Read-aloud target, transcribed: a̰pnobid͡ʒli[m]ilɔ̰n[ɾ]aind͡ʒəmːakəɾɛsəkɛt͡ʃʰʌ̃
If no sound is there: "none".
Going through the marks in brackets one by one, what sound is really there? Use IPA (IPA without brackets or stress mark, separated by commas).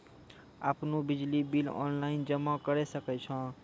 b, l